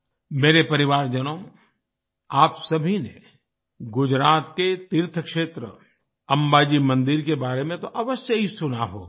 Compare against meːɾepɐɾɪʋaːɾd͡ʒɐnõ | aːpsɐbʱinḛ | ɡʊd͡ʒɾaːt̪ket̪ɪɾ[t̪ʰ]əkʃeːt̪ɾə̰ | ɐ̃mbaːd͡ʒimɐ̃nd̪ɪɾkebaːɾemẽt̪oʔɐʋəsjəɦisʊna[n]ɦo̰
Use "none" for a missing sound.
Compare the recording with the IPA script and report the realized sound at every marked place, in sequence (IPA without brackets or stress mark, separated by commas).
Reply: t̪ʰ, none